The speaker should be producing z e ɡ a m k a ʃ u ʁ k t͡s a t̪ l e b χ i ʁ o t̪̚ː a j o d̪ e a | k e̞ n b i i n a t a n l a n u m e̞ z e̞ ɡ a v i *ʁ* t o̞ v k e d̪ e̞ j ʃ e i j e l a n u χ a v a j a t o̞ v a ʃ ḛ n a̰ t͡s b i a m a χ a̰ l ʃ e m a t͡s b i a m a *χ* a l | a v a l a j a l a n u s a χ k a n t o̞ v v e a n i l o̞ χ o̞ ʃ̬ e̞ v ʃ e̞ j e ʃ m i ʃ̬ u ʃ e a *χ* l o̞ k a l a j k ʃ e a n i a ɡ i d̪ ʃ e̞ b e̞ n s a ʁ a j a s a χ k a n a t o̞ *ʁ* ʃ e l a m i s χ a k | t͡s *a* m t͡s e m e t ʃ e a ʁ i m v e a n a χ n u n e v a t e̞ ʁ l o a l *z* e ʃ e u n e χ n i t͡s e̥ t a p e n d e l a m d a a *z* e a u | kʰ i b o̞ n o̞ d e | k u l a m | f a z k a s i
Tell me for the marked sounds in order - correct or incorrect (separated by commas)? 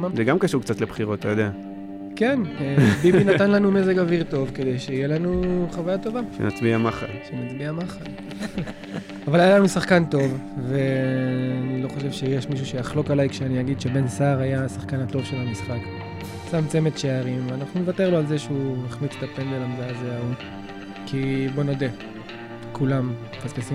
correct, correct, correct, incorrect, correct, correct, correct